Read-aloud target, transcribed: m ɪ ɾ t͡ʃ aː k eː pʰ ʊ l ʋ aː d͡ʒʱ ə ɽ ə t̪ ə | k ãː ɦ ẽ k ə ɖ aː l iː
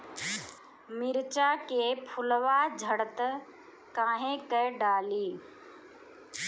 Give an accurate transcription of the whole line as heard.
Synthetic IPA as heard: m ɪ ɾ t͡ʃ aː k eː pʰ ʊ l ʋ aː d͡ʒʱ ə ɽ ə t̪ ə | k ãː ɦ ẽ k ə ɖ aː l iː

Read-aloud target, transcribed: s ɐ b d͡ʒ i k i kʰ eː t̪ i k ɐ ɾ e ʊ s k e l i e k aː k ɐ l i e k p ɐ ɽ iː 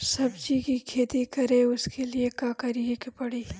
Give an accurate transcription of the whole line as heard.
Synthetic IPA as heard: s ɐ b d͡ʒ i k i kʰ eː t̪ i k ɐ ɾ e ʊ s k e l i e k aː k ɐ ɾ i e k p ɐ ɽ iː

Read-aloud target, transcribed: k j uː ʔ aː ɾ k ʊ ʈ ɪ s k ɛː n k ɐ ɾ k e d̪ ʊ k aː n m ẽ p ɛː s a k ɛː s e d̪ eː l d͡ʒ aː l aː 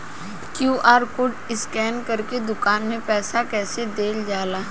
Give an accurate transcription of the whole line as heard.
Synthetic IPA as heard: k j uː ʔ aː ɾ k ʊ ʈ ɪ s k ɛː n k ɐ ɾ k e d̪ ʊ k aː n m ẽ p ɛː s a k ɛː s e d̪ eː l d͡ʒ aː l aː

